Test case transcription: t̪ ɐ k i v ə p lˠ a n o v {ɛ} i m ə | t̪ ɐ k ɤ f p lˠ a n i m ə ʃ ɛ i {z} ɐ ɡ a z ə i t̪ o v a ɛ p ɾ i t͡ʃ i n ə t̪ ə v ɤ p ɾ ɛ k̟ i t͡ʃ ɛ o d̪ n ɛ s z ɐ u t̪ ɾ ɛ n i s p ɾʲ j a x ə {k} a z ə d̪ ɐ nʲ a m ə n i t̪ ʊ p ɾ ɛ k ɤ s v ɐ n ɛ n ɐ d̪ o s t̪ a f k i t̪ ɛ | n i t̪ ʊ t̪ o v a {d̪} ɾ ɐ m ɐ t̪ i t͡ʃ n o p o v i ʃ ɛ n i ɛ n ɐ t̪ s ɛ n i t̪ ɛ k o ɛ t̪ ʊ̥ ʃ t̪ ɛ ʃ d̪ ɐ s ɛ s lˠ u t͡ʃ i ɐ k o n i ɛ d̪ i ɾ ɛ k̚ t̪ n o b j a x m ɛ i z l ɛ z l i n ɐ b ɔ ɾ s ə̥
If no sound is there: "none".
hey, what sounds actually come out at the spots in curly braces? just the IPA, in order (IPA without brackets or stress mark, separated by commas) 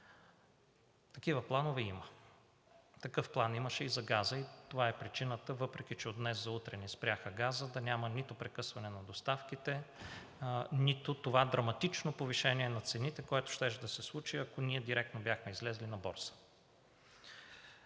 ɛ, z, ɡ, d̪